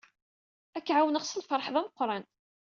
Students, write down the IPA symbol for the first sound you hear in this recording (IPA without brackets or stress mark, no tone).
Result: æ